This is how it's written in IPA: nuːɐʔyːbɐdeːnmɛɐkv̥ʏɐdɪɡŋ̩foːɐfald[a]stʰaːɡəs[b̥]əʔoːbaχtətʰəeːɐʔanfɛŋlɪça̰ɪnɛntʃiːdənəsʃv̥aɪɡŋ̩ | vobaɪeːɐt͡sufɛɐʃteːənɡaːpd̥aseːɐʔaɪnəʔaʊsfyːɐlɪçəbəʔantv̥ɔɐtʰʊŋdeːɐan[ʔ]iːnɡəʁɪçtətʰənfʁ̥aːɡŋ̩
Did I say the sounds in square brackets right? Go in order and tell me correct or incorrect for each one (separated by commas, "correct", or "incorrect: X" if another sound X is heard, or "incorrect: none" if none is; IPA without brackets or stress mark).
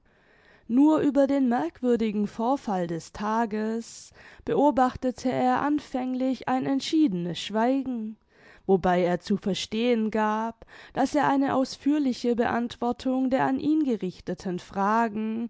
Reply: incorrect: ɛ, correct, correct